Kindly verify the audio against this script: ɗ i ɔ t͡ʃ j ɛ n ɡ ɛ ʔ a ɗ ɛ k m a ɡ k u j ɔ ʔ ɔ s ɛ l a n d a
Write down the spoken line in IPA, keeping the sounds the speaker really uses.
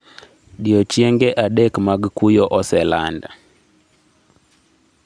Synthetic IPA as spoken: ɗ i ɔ t͡ʃ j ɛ ŋ ɡ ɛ ʔ a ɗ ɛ k m a ɡ k u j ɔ ʔ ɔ s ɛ l a n d a